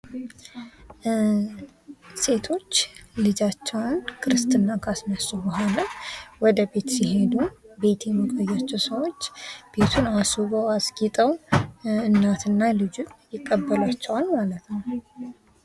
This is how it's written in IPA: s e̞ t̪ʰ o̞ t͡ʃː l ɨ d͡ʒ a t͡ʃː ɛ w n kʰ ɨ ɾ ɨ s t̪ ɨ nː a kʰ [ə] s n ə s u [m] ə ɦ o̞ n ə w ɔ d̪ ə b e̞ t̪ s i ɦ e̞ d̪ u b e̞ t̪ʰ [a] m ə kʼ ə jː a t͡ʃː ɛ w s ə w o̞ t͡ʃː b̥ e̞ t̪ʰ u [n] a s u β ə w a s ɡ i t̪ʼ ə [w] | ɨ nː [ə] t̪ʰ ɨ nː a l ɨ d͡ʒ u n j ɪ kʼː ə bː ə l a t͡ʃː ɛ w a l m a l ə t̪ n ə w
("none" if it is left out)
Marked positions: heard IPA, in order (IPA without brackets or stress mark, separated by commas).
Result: a, b, e, n, w, a